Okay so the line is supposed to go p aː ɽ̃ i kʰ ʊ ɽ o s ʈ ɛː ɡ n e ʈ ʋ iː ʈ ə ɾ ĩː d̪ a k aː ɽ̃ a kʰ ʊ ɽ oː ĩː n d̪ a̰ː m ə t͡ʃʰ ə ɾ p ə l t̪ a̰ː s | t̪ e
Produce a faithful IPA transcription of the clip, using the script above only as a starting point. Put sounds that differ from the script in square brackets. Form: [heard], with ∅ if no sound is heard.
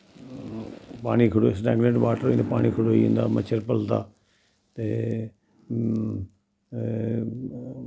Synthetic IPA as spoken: p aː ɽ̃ i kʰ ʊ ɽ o s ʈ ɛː ɡ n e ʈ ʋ [aː] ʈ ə ɾ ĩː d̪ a [p] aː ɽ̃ [i] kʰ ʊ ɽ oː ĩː n d̪ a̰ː m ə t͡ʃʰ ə ɾ p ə l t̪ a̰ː [∅] | t̪ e